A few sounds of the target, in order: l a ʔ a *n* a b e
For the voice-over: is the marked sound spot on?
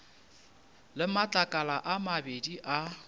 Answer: no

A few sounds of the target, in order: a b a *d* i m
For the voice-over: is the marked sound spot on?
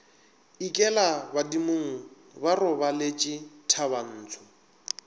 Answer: yes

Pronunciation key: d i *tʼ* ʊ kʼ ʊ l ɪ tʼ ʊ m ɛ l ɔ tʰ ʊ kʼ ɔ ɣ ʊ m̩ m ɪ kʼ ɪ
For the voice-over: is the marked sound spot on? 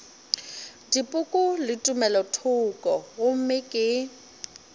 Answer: no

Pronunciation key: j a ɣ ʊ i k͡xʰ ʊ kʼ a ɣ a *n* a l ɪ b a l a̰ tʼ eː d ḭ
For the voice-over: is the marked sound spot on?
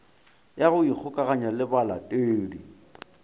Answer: no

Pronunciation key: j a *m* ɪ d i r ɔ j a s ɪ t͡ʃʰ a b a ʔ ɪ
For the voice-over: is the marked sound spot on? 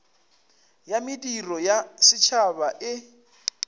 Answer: yes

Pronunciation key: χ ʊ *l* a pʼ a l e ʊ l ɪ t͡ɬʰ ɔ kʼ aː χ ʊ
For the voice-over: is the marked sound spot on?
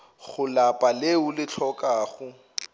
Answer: yes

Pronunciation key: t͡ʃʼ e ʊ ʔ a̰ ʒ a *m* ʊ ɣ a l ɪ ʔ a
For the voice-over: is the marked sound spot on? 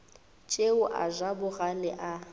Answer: no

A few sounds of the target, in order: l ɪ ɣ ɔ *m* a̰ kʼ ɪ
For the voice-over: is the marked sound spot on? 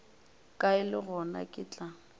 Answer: no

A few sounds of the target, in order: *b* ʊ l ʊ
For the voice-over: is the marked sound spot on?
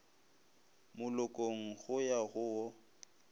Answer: no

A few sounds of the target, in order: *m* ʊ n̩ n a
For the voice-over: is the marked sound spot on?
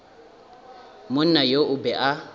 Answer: yes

